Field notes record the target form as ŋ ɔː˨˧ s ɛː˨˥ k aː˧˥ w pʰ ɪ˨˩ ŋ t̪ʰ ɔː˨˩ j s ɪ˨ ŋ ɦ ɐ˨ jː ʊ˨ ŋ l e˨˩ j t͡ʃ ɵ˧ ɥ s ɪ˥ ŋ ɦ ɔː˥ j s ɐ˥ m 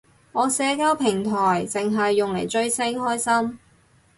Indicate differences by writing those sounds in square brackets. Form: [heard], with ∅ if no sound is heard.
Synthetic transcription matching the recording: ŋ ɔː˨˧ s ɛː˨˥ k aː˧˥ w pʰ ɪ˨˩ ŋ t̪ʰ ɔː˨˩ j [t͡s] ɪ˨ ŋ ɦ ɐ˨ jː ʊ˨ ŋ l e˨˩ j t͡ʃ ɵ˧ ɥ s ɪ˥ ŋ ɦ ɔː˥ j s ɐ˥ m